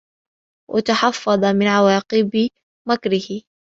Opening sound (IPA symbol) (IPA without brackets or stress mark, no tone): w